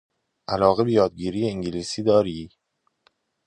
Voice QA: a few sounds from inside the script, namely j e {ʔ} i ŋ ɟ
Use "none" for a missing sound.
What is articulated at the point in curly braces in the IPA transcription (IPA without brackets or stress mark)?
none